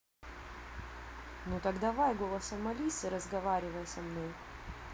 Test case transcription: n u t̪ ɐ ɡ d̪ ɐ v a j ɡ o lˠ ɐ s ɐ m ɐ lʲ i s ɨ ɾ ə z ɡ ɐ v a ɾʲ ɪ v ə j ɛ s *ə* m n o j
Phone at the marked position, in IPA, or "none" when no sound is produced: ɐ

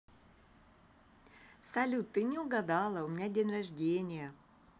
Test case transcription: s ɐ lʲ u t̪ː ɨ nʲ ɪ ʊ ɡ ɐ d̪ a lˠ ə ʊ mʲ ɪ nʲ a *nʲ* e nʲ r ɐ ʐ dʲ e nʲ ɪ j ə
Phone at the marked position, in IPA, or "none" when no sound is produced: dʲ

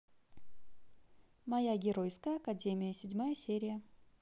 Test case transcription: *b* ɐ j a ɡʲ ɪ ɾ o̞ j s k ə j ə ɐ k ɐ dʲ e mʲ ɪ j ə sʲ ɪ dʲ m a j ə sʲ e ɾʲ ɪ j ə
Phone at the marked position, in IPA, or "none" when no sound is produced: m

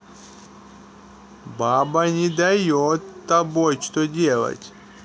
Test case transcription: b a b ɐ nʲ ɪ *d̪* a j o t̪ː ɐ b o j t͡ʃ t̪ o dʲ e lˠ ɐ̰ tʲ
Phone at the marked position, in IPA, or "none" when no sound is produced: d̪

